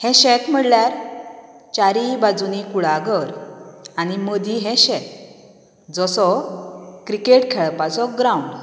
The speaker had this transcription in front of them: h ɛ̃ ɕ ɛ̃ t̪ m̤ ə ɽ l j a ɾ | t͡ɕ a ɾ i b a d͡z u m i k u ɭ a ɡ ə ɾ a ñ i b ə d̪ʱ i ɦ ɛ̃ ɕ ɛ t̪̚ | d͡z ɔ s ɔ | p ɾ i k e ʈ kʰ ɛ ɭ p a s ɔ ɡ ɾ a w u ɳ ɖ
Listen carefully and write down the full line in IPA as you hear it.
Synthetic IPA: h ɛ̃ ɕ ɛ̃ t̪ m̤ ə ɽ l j a ɾ | t͡ɕ a ɾ i b a d͡z u n i k u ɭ a ɡ ə ɾ a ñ i m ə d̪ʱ i ɦ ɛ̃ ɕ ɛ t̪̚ | d͡z ɔ s ɔ | k ɾ i k e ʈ kʰ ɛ ɭ p a t͡s ɔ ɡ ɾ a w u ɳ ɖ